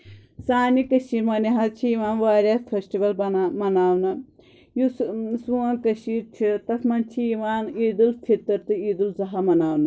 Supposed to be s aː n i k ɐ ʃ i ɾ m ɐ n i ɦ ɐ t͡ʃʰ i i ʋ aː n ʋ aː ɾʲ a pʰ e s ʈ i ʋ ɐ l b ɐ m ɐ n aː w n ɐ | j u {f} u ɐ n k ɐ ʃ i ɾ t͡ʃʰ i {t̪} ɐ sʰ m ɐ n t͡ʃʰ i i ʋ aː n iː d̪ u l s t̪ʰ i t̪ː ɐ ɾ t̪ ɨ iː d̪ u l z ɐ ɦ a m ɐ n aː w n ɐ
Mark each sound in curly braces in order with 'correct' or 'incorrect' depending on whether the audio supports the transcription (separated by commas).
incorrect, correct